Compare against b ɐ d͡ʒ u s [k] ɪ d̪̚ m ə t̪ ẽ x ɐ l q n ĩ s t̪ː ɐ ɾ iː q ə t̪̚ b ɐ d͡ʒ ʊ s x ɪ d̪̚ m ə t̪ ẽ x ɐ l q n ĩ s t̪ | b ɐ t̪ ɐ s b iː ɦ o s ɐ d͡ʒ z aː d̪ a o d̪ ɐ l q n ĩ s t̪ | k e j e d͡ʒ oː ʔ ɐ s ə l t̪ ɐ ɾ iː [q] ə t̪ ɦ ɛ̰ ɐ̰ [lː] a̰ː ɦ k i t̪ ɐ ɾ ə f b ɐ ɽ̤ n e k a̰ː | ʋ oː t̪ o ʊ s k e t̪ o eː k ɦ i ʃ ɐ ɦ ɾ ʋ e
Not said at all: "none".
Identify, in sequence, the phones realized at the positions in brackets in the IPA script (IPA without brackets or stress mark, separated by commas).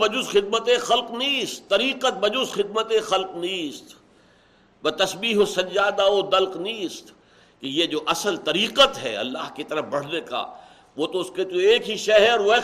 x, q, lː